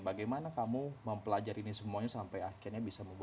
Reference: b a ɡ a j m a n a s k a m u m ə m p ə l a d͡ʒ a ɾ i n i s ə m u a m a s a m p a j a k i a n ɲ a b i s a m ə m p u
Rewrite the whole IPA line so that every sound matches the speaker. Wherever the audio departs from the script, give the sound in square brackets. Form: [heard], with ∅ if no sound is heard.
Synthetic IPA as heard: b a ɡ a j m a n a [∅] k a m u m ə m p ə l a d͡ʒ a ɾ i n i s ə m u a [ɲ] a s a m p a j a k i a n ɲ a b i s a m ə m [b] u